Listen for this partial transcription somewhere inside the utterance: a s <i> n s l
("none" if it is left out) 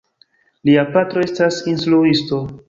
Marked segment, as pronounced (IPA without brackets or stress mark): i